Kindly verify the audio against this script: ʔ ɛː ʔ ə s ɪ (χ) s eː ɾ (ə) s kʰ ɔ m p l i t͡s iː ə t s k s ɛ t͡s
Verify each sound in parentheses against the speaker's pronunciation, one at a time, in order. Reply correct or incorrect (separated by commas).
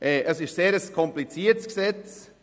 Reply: incorrect, correct